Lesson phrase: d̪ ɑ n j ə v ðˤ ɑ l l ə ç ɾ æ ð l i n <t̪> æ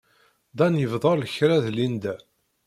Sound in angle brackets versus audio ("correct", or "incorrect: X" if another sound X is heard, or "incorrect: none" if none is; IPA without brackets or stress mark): incorrect: d̪